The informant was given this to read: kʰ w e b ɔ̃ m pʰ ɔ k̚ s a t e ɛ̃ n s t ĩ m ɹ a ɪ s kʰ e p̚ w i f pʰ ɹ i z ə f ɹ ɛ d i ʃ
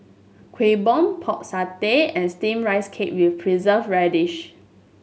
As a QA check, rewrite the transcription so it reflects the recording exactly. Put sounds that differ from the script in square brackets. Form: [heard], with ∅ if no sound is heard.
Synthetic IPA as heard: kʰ w e b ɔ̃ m pʰ ɔ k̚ s a t e ɛ̃ n s t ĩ m ɹ a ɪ s kʰ e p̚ w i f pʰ ɹ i z ə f ɹ ɛ d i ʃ